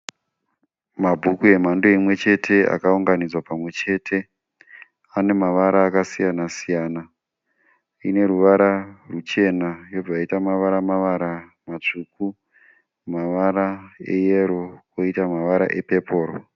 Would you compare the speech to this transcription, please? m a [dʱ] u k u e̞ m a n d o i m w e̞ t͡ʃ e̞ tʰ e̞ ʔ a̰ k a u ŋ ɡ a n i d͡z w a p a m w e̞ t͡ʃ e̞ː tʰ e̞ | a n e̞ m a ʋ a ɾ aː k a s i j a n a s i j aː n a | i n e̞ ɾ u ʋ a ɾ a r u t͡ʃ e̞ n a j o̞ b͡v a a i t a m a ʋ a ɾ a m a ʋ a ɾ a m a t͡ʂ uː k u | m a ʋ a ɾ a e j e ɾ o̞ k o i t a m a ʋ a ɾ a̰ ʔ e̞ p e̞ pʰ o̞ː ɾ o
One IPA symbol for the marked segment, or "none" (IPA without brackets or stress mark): bʱ